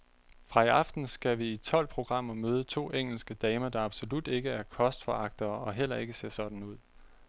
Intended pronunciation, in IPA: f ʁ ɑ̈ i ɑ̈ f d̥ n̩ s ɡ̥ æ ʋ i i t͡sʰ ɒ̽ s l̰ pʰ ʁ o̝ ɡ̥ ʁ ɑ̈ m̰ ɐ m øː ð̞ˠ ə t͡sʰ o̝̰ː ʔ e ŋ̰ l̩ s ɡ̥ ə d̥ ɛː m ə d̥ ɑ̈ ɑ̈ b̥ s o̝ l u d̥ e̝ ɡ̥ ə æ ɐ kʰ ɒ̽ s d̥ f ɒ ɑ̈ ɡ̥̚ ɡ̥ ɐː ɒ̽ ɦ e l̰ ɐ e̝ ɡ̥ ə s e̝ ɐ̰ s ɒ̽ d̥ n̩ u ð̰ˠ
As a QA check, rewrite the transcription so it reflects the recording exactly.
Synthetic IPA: f ʁ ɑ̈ i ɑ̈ f d̥ n̩ s ɡ̥ æ ʋ i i t͡sʰ ɒ̽ l̰ pʰ ʁ o̝ ɡ̥ ʁ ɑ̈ m̰ ɐ m øː ð̞ˠ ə t͡sʰ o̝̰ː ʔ e ŋ̰ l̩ s ɡ̥ ə d̥ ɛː m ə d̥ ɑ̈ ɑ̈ b̥ s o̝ l u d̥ e̝ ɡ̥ ə æ ɐ kʰ ɒ̽ s d̥ f ɒ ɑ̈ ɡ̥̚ d̥ ɐː ɒ̽ ɦ e l̰ ɐ e̝ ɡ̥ ə s e̝ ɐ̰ s ɒ̽ d̥ n̩ u ð̰ˠ